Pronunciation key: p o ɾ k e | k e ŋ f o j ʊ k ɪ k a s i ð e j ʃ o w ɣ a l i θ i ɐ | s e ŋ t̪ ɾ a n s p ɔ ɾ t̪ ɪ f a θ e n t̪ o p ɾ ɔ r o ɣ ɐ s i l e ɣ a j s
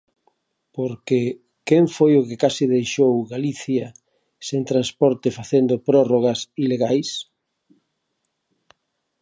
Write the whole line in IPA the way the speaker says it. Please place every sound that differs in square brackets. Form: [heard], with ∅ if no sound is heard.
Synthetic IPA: p o ɾ k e | k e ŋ f o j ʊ k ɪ k a s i ð e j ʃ o w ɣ a l i θ [j] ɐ | s e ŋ t̪ ɾ a n s p ɔ ɾ t̪ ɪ f a θ e n [d̪] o p ɾ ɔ r o ɣ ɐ s i l e ɣ a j s

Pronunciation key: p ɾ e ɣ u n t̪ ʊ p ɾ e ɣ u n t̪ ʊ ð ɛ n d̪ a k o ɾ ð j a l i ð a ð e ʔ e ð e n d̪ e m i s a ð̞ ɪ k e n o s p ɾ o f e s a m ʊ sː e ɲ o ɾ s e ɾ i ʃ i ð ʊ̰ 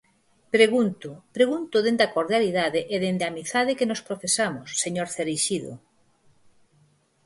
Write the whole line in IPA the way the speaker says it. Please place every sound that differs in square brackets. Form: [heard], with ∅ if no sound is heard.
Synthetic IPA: p ɾ e ɣ u n t̪ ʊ p ɾ e ɣ u n t̪ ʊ ð [e] n d̪ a k o ɾ ð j a l i ð a ð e ʔ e ð e n d̪ [a] m i [θ] a ð̞ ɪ k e n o s p ɾ o f e s a m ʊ sː e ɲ o ɾ [θ] e ɾ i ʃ i ð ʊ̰

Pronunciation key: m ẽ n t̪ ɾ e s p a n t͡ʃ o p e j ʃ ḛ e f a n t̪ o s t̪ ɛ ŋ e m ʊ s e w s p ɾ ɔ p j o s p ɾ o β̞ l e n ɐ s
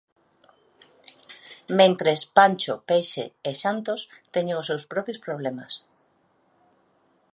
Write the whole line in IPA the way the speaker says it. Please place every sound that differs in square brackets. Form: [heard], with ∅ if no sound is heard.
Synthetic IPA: m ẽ n t̪ ɾ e s p a n t͡ʃ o p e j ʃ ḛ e [ʃ] a n t̪ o s t̪ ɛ [ɲ] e [ŋ] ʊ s e w s p ɾ ɔ p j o s p ɾ o β̞ l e [m] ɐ s

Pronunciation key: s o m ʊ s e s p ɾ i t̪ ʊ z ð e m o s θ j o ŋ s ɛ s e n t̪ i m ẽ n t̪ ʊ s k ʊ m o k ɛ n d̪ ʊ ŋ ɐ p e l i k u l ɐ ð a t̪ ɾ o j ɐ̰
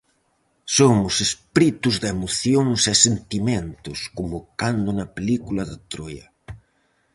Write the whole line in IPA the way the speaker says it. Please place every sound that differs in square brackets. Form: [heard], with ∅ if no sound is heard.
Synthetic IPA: s o m ʊ s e s p ɾ i t̪ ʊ z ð e m o [∅] θ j o ŋ s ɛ s e n t̪ i m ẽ n t̪ ʊ s k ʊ m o k [a] n d̪ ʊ [n] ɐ p e l i k u l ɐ ð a t̪ ɾ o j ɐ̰

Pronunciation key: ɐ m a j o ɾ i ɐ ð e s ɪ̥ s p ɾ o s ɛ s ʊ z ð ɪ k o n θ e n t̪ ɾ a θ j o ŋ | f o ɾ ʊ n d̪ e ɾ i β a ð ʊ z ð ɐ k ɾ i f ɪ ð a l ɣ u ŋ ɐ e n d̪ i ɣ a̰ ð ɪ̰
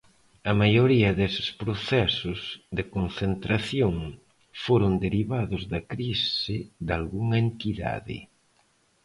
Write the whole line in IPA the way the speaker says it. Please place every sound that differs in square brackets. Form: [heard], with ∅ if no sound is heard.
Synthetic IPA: ɐ m a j o ɾ i ɐ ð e s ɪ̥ s p ɾ o [θ] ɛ s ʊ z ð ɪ k o n θ e n t̪ ɾ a θ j o ŋ | f o ɾ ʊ n d̪ e ɾ i β a ð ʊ z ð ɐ k ɾ i [s] ɪ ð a l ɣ u ŋ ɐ e n [t̪] i [ð] a̰ ð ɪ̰

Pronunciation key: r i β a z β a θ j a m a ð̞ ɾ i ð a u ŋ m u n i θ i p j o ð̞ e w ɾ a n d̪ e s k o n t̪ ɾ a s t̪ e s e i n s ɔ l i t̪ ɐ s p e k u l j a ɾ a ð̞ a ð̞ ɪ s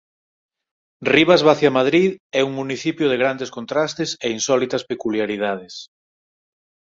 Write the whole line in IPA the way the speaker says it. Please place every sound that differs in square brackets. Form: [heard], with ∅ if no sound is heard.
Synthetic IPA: r i β a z β a θ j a m a ð̞ ɾ i ð [ɛ] u ŋ m u n i θ i p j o ð̞ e [ɣ] ɾ a n d̪ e s k o n t̪ ɾ a s t̪ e s e i n s ɔ l i t̪ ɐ s p e k u l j a ɾ [i] ð̞ a ð̞ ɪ s

